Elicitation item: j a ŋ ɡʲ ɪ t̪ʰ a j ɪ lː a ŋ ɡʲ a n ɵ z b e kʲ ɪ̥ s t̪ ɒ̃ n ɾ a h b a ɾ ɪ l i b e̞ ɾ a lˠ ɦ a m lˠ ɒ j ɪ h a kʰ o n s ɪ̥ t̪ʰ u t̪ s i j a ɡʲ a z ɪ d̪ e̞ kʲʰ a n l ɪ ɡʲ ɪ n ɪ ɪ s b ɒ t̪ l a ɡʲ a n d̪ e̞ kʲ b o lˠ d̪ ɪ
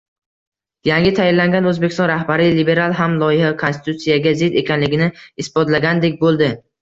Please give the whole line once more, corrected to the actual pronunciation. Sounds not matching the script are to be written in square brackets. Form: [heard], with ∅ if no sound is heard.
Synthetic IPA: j a ŋ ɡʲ ɪ t̪ʰ a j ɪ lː a ŋ ɡʲ a n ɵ z b e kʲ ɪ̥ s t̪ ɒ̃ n ɾ a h b a ɾ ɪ l i b e̞ ɾ a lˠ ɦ a m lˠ ɒ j ɪ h a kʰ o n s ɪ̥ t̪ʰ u t̪ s i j a ɡʲ a z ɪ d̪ e̞ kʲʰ a n l ɪ ɡʲ ɪ n ɪ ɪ s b ɒ t̪ l a ɡʲ a n d̪ e̞ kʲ b o lˠ d̪ ɪ